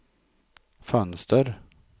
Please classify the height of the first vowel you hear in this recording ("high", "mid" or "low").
mid